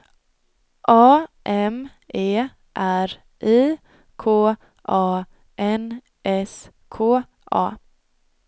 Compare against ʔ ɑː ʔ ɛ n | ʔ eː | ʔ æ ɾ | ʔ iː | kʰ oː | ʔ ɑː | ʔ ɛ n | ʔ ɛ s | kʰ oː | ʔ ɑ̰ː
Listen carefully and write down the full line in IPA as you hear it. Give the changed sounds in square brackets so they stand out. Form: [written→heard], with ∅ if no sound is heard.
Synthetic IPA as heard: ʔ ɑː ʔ ɛ [n→m] | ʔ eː | ʔ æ ɾ | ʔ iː | kʰ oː | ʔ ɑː | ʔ ɛ n | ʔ ɛ s | kʰ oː | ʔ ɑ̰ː